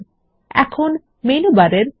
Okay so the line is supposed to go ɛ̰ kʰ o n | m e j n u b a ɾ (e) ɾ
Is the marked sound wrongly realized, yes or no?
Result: no